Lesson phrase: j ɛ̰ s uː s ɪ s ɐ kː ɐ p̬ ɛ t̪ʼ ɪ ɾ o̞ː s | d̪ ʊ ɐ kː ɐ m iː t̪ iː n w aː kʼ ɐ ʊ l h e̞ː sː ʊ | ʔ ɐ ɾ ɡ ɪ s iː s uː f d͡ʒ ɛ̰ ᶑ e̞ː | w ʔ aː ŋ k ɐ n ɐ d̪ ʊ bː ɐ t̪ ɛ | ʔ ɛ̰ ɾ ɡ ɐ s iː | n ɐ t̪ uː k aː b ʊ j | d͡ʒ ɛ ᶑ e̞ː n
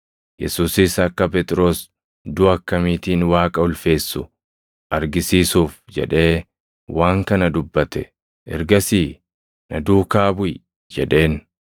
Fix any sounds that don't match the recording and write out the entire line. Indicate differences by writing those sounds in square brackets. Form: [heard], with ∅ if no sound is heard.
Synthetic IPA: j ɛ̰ s uː s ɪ s ɐ kː ɐ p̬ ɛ t̪ʼ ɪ ɾ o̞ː s | d̪ ʊ ɐ kː ɐ m iː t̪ iː n w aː kʼ ɐ ʊ l [f] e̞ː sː ʊ | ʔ ɐ ɾ ɡ ɪ s iː s uː f d͡ʒ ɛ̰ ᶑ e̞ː | w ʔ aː ŋ k ɐ n ɐ d̪ ʊ bː ɐ t̪ ɛ | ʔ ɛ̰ ɾ ɡ ɐ s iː | n ɐ [d̪] uː k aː b ʊ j | d͡ʒ ɛ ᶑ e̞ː n

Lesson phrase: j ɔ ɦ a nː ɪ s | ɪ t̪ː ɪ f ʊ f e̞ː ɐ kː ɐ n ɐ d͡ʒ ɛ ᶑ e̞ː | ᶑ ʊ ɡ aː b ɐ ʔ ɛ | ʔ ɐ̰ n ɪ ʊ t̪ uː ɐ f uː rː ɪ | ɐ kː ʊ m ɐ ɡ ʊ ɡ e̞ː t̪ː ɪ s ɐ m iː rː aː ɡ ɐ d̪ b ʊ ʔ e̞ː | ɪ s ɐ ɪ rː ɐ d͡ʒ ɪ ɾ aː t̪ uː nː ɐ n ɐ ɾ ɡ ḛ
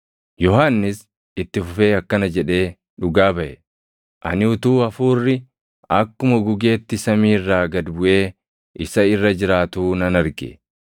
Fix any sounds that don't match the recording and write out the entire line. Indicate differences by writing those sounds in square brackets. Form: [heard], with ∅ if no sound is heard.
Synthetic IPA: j ɔ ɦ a nː ɪ s | ɪ t̪ː ɪ f ʊ f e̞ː ɐ kː ɐ n ɐ d͡ʒ ɛ ᶑ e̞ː | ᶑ ʊ ɡ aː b ɐ ʔ ɛ | ʔ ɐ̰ n ɪ ʊ t̪ uː ɐ f uː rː ɪ | ɐ kː ʊ m ɐ ɡ ʊ ɡ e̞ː t̪ː ɪ s ɐ m iː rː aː ɡ ɐ d̪ b ʊ ʔ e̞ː | ɪ s ɐ ɪ rː ɐ d͡ʒ ɪ ɾ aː t̪ uː [n] ɐ n ɐ ɾ ɡ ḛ

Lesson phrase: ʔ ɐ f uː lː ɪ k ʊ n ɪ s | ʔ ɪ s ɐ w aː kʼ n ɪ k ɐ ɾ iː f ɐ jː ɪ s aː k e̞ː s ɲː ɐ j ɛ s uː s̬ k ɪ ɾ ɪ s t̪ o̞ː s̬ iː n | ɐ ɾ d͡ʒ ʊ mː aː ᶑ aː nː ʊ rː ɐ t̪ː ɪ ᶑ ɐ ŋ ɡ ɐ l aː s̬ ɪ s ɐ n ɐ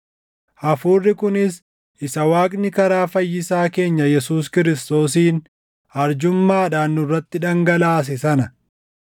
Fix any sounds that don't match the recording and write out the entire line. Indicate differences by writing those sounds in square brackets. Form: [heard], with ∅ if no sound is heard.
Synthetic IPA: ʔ ɐ f uː [rː] ɪ k ʊ n ɪ s | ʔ ɪ s ɐ w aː kʼ n ɪ k ɐ ɾ [aː] f ɐ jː ɪ s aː k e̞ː [∅] ɲː ɐ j ɛ s uː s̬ k ɪ ɾ ɪ s t̪ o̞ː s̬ iː n | ɐ ɾ d͡ʒ ʊ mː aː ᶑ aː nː ʊ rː ɐ t̪ː ɪ ᶑ ɐ ŋ ɡ ɐ l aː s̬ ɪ s ɐ n ɐ

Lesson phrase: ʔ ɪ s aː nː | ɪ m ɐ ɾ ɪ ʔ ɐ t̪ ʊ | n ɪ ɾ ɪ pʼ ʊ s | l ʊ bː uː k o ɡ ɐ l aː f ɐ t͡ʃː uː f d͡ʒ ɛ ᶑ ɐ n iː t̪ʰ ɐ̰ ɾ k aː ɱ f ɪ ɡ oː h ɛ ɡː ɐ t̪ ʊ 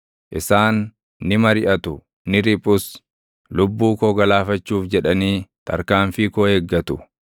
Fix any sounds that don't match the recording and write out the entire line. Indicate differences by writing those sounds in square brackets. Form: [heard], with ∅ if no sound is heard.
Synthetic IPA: ʔ ɪ s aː nː | ɪ m ɐ ɾ ɪ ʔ ɐ t̪ ʊ | n ɪ ɾ ɪ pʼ ʊ s | l ʊ bː uː k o ɡ ɐ l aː f ɐ t͡ʃː uː f d͡ʒ ɛ ᶑ ɐ n iː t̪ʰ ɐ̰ ɾ k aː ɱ f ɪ [k] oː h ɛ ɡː ɐ t̪ ʊ

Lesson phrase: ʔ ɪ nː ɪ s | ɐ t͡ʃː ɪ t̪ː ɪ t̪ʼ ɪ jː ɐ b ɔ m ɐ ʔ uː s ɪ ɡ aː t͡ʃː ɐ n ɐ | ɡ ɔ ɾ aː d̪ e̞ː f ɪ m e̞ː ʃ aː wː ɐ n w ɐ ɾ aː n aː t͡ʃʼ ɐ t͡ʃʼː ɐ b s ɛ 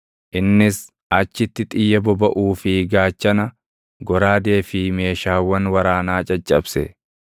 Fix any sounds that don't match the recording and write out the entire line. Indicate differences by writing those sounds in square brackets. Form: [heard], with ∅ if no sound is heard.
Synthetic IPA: ʔ ɪ nː ɪ s | ɐ t͡ʃː ɪ t̪ː ɪ t̪ʼ ɪ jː ɐ b ɔ [b] ɐ ʔ uː [f] ɪ ɡ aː t͡ʃː ɐ n ɐ | ɡ ɔ ɾ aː d̪ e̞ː f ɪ m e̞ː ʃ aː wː ɐ n w ɐ ɾ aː n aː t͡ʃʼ ɐ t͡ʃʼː ɐ b s ɛ

